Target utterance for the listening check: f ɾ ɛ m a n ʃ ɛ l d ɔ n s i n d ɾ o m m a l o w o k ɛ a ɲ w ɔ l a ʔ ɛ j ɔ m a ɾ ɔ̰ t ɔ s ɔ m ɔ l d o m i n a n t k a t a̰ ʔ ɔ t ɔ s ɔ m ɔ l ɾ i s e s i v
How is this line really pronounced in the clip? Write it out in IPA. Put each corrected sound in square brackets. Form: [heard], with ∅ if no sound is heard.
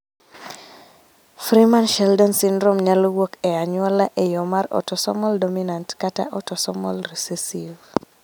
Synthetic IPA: f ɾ [i] m a n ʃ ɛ l d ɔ n s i n d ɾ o m [ɲ] a l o w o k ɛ a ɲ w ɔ l a ʔ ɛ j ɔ m a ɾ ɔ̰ t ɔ s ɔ m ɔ l d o m i n a n t k a t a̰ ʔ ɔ t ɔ s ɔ m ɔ l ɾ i s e s i v